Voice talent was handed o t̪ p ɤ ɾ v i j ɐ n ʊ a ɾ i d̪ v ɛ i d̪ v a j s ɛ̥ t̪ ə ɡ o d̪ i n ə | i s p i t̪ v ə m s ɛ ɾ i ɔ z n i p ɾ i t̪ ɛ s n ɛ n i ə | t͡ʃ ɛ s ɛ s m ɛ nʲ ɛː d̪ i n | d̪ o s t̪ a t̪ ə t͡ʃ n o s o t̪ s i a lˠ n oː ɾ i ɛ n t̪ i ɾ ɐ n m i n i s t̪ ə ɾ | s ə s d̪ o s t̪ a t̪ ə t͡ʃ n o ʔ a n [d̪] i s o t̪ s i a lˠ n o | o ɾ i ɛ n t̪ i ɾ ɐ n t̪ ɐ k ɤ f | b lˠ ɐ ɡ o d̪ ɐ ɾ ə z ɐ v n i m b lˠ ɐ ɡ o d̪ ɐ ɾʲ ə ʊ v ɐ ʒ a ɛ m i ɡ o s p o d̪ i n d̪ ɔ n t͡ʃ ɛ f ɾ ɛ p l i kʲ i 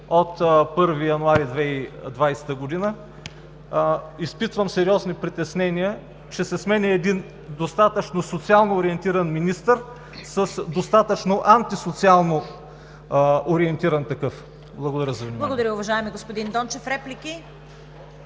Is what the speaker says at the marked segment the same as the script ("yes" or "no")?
no